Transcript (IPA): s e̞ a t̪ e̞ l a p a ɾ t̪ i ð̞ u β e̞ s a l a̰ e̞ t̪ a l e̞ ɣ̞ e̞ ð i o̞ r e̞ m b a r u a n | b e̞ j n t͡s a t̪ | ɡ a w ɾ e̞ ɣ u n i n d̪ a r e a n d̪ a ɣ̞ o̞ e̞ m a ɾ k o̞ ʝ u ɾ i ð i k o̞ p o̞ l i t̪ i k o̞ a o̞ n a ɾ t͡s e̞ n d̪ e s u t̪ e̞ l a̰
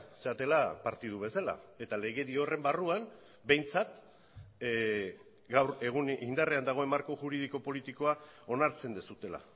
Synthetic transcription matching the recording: s e̞ a t̪ e̞ l a p a ɾ t̪ i ð̞ u β e̞ s a l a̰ e̞ t̪ a l e̞ ɣ̞ e̞ ð i o̞ r e̞ m b a r u a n | b e̞ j n t͡s a t̪ | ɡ a w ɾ e̞ ɣ u n i n d̪ a r e a n d̪ a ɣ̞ o̞ e̞ m a ɾ k o̞ ʝ u ɾ i ð i k o̞ p o̞ l i t̪ i k o̞ a o̞ n a ɾ t͡s e̞ n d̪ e s u t̪ e̞ l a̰

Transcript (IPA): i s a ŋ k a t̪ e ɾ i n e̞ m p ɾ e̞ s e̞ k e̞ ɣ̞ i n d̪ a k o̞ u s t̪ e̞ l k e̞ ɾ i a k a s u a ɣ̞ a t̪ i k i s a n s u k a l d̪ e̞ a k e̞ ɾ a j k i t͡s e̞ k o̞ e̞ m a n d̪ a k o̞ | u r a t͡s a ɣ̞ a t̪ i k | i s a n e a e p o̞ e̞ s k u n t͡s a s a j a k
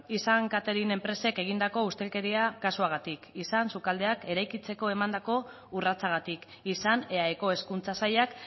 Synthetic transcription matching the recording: i s a ŋ k a t̪ e ɾ i n e̞ m p ɾ e̞ s e̞ k e̞ ɣ̞ i n d̪ a k o̞ u s t̪ e̞ l k e̞ ɾ i a k a s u a ɣ̞ a t̪ i k i s a n s u k a l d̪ e̞ a k e̞ ɾ a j k i t͡s e̞ k o̞ e̞ m a n d̪ a k o̞ | u r a t͡s a ɣ̞ a t̪ i k | i s a n e a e k o̞ e̞ s k u n t͡s a s a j a k

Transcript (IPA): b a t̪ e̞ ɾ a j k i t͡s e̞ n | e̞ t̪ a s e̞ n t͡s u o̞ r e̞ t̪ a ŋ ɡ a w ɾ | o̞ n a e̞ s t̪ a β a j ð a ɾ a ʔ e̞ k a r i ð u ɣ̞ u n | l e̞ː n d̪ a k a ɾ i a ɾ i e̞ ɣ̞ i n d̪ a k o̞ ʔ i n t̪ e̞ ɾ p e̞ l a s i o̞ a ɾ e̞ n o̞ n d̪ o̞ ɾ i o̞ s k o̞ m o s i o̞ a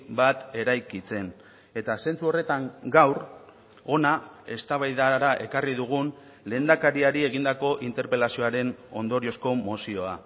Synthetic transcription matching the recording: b a t̪ e̞ ɾ a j k i t͡s e̞ n | e̞ t̪ a s e̞ n t͡s u o̞ r e̞ t̪ a ŋ ɡ a w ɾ | o̞ n a e̞ s t̪ a β a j ð a ɾ a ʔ e̞ k a r i ð u ɣ̞ u n | l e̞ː n d̪ a k a ɾ i a ɾ i e̞ ɣ̞ i n d̪ a k o̞ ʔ i n t̪ e̞ ɾ p e̞ l a s i o̞ a ɾ e̞ n o̞ n d̪ o̞ ɾ i o̞ s k o̞ m o s i o̞ a

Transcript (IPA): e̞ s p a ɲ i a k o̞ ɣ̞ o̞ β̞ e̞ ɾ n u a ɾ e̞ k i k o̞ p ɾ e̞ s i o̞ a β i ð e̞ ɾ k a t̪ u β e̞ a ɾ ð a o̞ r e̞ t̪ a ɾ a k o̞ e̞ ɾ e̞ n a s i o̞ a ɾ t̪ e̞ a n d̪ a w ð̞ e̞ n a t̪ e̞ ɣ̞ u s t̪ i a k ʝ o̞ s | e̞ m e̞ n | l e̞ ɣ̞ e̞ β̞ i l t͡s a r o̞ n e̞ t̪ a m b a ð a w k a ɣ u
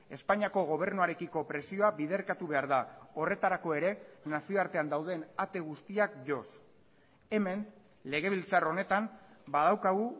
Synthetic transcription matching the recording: e̞ s p a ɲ i a k o̞ ɣ̞ o̞ β̞ e̞ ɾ n u a ɾ e̞ k i k o̞ p ɾ e̞ s i o̞ a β i ð e̞ ɾ k a t̪ u β e̞ a ɾ ð a o̞ r e̞ t̪ a ɾ a k o̞ e̞ ɾ e̞ n a s i o̞ a ɾ t̪ e̞ a n d̪ a w ð̞ e̞ n a t̪ e̞ ɣ̞ u s t̪ i a k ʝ o̞ s | e̞ m e̞ n | l e̞ ɣ̞ e̞ β̞ i l t͡s a r o̞ n e̞ t̪ a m b a ð a w k a ɣ u

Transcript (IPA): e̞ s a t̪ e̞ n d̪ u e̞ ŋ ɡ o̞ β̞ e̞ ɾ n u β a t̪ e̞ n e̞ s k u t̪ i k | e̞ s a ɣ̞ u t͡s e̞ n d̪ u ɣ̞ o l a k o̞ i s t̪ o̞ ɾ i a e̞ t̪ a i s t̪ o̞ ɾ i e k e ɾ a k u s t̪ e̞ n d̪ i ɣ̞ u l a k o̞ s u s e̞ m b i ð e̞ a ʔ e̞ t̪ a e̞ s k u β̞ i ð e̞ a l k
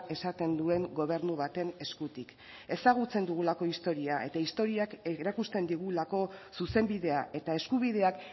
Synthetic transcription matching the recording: e̞ s a t̪ e̞ n d̪ u e̞ ŋ ɡ o̞ β̞ e̞ ɾ n u β a t̪ e̞ n e̞ s k u t̪ i k | e̞ s a ɣ̞ u t͡s e̞ n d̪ u ɣ̞ u l a k o̞ i s t̪ o̞ ɾ i a e̞ t̪ a i s t̪ o̞ ɾ i a k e ɾ a k u s t̪ e̞ n d̪ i ɣ̞ u l a k o̞ s u s e̞ m b i ð e̞ a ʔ e̞ t̪ a e̞ s k u β̞ i ð e̞ a k

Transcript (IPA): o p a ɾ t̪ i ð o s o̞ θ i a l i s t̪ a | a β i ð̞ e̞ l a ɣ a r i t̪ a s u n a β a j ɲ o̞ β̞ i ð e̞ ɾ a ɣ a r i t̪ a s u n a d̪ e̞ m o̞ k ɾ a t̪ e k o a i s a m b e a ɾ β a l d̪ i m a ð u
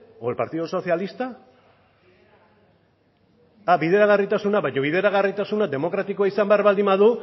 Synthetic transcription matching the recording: o p a ɾ t̪ i ð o s o̞ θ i a l i s t̪ a | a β i ð̞ e̞ ɾ a ɣ a r i t̪ a s u n a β a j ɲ o̞ β̞ i ð e̞ ɾ a ɣ a r i t̪ a s u n a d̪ e̞ m o̞ k ɾ a t̪ i k o a i s a m b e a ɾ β a l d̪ i m a ð u

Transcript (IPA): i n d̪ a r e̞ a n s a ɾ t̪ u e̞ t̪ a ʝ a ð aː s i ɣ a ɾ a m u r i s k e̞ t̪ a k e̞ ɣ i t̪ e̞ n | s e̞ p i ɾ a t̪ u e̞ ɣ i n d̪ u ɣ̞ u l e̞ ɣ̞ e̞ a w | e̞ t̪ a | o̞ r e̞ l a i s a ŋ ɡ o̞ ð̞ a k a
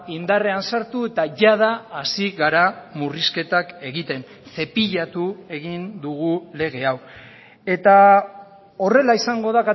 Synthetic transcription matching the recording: i n d̪ a r e̞ a n s a ɾ t̪ u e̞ t̪ a ʝ a ð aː s i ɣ a ɾ a m u r i s k e̞ t̪ a k e̞ ɣ i t̪ e̞ n | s e̞ p i ʎ a t̪ u e̞ ɣ i n d̪ u ɣ̞ u l e̞ ɣ̞ e̞ a w | e̞ t̪ a | o̞ r e̞ l a i s a ŋ ɡ o̞ ð̞ a k a

